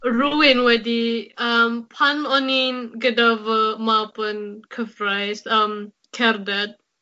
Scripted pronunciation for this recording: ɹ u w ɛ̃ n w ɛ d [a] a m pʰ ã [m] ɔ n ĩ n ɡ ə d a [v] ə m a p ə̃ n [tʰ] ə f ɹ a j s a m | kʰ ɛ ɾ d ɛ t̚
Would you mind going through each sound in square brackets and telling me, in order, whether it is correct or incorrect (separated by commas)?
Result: incorrect, incorrect, correct, incorrect